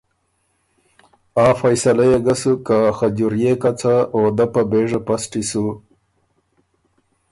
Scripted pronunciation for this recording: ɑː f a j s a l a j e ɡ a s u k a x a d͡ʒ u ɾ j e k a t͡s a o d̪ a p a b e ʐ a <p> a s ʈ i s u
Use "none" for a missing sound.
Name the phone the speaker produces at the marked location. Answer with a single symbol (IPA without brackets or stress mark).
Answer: p